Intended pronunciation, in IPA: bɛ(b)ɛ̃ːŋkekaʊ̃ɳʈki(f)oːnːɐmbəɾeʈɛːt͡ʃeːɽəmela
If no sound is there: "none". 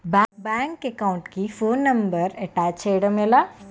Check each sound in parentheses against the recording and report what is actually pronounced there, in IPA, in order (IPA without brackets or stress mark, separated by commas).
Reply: b, f